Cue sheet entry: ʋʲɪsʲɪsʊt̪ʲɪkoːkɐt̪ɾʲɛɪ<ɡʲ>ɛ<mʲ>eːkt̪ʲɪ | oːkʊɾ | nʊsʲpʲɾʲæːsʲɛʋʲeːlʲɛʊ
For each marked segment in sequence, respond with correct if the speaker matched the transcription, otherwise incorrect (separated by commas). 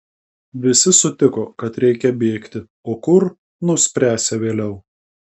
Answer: incorrect, incorrect